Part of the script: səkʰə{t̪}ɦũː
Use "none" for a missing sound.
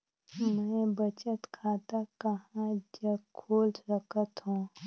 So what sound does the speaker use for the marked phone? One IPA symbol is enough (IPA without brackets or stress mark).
t̪